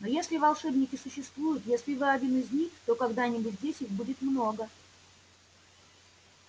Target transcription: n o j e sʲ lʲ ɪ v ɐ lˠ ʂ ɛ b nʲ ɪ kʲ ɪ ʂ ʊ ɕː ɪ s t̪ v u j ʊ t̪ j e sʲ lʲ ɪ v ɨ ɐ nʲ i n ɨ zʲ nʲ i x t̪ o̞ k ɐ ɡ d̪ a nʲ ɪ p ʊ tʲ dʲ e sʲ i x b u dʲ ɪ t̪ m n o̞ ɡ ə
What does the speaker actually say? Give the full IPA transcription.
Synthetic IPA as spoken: n o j e sʲ lʲ ɪ v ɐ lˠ ʂ ɛ b nʲ ɪ kʲ ɪ s ʊ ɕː ɪ s t̪ v u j ʊ t̪ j e sʲ lʲ ɪ v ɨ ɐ dʲ i n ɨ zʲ nʲ i x t̪ o̞ k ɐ ɡ d̪ a nʲ ɪ b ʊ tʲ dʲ e sʲ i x b u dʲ ɪ t̪ m n o̞ ɡ ə